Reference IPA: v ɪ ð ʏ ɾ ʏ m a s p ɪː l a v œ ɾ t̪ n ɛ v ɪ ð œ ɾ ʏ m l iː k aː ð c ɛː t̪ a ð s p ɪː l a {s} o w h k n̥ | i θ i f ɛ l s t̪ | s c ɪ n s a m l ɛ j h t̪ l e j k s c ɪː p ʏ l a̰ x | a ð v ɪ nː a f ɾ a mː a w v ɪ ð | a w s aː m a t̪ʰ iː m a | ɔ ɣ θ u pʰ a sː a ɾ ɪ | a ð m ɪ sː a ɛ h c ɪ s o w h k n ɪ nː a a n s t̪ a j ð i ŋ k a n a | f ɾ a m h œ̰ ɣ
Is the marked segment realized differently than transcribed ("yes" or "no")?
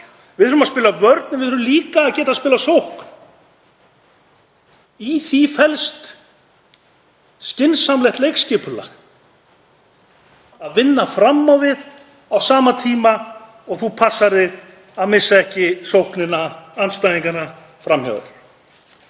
no